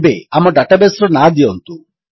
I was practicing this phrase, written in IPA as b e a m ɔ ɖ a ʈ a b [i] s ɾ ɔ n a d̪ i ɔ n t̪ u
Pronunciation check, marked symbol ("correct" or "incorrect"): incorrect